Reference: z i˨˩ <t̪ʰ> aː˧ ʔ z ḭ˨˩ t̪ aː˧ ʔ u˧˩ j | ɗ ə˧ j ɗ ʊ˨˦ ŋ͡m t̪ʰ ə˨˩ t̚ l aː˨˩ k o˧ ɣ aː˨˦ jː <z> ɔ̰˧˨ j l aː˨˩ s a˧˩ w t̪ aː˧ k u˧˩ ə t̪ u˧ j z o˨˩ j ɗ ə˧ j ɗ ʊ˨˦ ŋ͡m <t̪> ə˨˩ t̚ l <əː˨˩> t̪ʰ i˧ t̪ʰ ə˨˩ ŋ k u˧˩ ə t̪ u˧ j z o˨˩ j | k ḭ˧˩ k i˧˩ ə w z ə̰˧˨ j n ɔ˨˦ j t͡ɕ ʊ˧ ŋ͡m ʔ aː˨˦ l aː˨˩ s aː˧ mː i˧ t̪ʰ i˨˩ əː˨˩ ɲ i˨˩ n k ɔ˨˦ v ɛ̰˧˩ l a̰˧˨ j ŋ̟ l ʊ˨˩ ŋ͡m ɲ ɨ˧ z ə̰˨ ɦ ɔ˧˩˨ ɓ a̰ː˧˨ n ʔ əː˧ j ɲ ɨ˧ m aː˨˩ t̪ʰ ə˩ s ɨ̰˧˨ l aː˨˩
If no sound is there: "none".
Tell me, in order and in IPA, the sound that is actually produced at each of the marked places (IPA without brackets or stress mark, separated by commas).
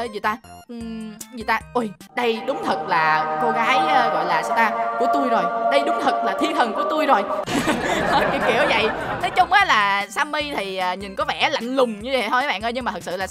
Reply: t̪, ɣ, t̪ʰ, aː˨˩